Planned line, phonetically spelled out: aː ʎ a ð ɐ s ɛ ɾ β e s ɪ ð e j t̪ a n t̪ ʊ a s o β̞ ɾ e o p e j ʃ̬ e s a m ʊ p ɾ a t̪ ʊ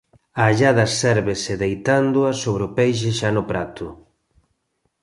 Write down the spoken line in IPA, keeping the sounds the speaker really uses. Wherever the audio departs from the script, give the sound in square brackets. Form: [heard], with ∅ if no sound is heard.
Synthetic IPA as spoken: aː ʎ a ð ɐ s ɛ ɾ β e s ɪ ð e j t̪ a n [d̪] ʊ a s o β̞ ɾ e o p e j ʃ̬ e [ʃ] a [n] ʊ p ɾ a t̪ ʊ